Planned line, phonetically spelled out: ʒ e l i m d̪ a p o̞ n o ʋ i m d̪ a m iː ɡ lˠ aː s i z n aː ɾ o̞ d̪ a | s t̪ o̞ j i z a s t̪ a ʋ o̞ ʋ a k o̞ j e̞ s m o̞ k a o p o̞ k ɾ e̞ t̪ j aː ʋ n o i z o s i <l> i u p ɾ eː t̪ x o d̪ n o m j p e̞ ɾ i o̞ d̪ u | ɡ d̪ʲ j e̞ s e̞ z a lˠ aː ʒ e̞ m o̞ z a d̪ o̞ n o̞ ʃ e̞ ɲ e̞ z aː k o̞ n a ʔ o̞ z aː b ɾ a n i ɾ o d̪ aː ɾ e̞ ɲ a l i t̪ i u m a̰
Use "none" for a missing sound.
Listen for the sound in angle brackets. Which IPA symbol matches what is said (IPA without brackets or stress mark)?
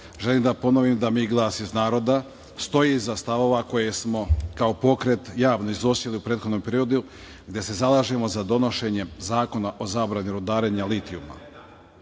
l